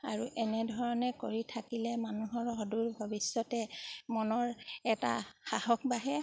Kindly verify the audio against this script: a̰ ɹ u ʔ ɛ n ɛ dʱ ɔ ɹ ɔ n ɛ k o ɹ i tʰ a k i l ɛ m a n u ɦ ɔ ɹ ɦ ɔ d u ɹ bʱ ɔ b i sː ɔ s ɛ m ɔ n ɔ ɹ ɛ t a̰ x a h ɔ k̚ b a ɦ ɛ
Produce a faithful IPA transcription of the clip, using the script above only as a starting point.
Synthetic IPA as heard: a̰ ɹ u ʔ ɛ n ɛ dʱ ɔ ɹ ɔ n ɛ k o ɹ i tʰ a k i l ɛ m a n u ɦ ɔ ɹ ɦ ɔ d u ɹ bʱ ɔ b i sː ɔ t ɛ m ɔ n ɔ ɹ ɛ t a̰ x a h ɔ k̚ b a ɦ ɛ

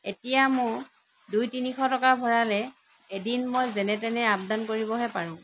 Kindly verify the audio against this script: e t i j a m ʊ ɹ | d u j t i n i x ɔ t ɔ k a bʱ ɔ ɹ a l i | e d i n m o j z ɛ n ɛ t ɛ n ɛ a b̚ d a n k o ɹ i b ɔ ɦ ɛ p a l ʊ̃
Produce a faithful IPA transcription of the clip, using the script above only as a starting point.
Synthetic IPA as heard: e t i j a m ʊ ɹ | d u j t i n i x ɔ t ɔ k a bʱ ɔ ɹ a l ɛ | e d i n m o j z ɛ n ɛ t ɛ n ɛ a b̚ d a n k o ɹ i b ɔ ɦ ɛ p a ɹ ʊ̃

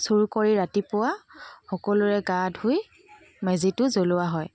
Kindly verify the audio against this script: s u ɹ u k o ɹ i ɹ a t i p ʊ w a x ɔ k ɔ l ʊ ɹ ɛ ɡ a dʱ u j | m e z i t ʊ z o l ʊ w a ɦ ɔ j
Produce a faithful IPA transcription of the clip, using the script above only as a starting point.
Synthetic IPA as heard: s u ɹ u k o ɹ i ɹ a t i p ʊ w a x ɔ k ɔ l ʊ ɹ ɛ ɡ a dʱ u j | m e z i t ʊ z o l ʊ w a ɦ ɔ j

